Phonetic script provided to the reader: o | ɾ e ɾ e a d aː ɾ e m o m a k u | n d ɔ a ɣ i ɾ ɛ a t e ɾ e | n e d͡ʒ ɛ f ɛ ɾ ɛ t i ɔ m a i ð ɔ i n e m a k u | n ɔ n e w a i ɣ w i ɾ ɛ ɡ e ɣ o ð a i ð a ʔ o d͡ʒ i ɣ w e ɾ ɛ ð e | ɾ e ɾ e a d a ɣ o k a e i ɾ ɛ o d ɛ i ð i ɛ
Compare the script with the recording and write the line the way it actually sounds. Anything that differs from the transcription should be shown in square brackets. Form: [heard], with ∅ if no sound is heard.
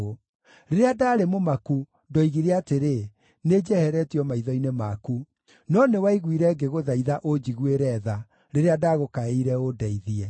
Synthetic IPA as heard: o | ɾ e ɾ e a d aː ɾ e m o m a k u | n d ɔ [i] ɣ i ɾ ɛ a t e ɾ e | n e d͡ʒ ɛ [h] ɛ ɾ ɛ t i ɔ m a i ð ɔ i n e m a k u | n ɔ n e w a i ɣ w i ɾ ɛ ɡ e ɣ o ð a i ð a ʔ o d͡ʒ i ɣ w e ɾ ɛ ð [a] | ɾ e ɾ e a d a ɣ o k a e i ɾ ɛ o d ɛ i ð i ɛ